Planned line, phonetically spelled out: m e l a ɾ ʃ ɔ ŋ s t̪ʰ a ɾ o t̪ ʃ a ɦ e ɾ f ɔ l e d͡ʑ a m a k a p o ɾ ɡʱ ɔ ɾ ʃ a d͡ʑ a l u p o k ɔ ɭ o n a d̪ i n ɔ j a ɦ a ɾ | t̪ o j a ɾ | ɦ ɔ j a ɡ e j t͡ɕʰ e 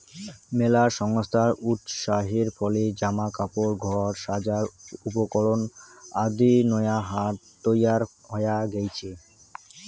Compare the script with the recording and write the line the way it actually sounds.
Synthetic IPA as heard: m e l a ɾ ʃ ɔ ŋ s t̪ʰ a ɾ u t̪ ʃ a ɦ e ɾ f ɔ l e d͡ʑ a m a k a p o ɾ ɡʱ ɔ ɾ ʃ a d͡ʑ a ɾ u p o k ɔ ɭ o n a d̪ i n ɔ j a ɦ a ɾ | t̪ o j a ɾ | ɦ ɔ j a ɡ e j t͡ɕʰ e